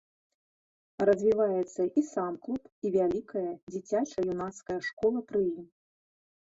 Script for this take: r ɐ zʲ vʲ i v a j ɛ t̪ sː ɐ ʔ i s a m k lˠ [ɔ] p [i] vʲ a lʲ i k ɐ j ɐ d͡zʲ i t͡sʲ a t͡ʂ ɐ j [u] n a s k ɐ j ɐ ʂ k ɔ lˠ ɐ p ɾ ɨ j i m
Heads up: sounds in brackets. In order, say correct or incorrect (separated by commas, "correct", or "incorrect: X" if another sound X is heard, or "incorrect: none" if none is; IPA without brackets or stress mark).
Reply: incorrect: u, correct, correct